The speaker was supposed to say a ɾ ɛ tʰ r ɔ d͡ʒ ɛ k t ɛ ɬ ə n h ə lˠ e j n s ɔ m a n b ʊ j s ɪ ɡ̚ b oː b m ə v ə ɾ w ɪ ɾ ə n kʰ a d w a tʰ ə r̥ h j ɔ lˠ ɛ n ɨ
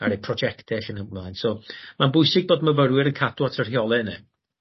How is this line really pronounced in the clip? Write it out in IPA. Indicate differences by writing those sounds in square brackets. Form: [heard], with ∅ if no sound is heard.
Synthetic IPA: a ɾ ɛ [pʰ] r ɔ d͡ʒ ɛ k t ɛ ɬ ə n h ə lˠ [a] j n s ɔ m a n b ʊ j s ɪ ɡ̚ b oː [d] m ə v ə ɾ w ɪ ɾ ə n kʰ a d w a tʰ ə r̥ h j ɔ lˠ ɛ n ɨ